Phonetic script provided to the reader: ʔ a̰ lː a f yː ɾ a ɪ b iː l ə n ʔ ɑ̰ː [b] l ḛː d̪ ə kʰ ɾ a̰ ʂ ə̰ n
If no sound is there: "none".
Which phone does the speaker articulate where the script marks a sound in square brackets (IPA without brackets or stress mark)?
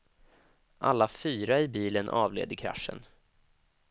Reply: v